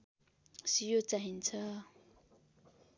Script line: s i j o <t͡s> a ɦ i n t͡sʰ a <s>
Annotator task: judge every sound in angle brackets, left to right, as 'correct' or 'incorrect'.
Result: correct, incorrect: none

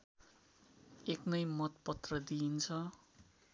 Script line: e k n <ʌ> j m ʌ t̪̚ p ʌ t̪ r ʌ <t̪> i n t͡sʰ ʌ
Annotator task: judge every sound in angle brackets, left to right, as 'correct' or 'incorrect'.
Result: correct, incorrect: d̪

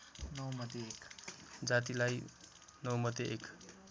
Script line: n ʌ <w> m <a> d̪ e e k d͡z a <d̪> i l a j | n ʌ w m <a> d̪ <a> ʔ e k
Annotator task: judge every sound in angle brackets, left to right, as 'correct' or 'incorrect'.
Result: correct, incorrect: ʌ, incorrect: t̪, incorrect: ʌ, incorrect: e

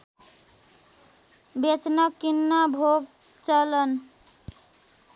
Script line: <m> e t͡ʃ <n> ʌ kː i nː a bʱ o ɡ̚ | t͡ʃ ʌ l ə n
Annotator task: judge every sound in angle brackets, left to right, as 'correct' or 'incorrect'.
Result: incorrect: b, correct

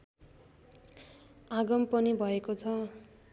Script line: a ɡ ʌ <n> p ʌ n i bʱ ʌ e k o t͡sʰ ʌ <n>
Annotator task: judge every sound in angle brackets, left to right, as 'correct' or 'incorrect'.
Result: incorrect: m, incorrect: none

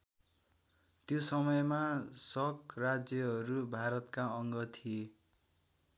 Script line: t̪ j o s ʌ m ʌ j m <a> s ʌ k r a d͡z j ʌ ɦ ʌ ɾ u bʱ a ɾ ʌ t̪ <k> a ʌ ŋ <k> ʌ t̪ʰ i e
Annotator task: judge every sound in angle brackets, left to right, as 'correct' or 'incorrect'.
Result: correct, correct, incorrect: ɡ

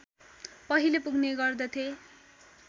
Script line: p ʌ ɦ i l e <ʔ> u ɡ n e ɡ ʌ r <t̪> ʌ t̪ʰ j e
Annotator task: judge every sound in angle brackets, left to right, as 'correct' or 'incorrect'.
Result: incorrect: p, incorrect: d̪

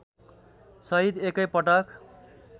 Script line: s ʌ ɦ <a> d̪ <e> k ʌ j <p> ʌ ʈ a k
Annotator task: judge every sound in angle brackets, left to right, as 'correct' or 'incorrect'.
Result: incorrect: i, correct, correct

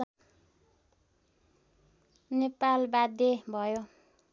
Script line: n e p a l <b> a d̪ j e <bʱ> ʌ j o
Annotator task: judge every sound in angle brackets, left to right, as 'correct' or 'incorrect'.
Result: correct, correct

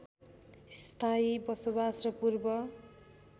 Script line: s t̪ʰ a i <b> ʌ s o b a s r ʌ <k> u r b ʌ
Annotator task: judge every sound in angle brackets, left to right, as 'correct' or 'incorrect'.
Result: correct, incorrect: p

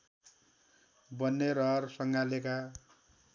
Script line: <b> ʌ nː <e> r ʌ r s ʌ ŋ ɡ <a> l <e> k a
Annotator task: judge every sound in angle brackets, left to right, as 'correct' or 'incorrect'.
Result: correct, correct, correct, correct

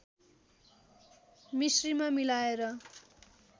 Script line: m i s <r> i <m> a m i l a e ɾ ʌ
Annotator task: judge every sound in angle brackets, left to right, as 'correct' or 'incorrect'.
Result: correct, correct

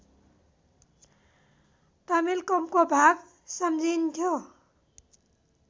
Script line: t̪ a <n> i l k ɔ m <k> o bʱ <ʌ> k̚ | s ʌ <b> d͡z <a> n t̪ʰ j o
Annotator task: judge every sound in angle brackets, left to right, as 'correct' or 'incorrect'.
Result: incorrect: m, correct, incorrect: a, incorrect: m, incorrect: i

